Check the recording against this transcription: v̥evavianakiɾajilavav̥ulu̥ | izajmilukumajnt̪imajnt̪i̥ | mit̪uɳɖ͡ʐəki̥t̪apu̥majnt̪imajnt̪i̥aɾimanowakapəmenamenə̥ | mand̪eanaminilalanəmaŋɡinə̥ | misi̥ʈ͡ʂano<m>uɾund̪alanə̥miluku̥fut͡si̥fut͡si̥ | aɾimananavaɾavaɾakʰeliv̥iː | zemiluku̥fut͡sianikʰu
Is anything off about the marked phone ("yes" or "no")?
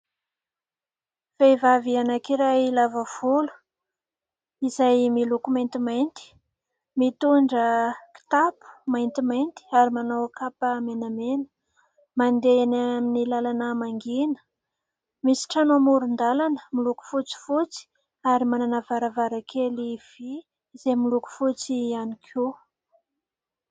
no